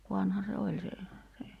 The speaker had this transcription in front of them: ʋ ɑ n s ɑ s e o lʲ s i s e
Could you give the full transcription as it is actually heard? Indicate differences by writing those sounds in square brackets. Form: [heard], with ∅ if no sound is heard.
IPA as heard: ʋ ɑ n [h] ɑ s e o lʲ s [e] s e